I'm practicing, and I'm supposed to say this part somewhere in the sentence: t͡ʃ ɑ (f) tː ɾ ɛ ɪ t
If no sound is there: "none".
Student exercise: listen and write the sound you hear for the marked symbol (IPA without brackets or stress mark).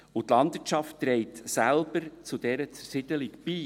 f